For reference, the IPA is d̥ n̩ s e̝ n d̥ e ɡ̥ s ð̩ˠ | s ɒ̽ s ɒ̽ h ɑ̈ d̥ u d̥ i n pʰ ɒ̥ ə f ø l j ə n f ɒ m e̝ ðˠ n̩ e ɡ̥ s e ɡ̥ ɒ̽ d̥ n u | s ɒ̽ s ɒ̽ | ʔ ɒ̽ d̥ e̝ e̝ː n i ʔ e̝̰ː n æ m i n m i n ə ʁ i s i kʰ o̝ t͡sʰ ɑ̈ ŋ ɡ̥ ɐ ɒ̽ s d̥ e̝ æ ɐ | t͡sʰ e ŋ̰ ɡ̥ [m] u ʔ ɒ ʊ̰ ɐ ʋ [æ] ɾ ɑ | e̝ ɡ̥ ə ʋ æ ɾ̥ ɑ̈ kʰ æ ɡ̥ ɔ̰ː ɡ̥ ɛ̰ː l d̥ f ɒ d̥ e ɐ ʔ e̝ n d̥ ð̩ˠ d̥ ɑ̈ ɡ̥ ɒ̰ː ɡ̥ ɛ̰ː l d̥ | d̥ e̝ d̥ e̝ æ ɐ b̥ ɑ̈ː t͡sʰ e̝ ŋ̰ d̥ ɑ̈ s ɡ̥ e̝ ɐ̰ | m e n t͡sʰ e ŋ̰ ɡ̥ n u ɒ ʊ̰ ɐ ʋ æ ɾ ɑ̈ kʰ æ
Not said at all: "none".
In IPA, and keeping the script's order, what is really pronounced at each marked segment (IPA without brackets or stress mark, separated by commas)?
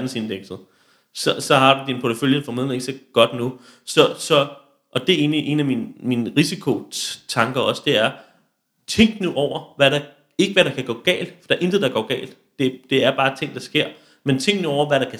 n, æ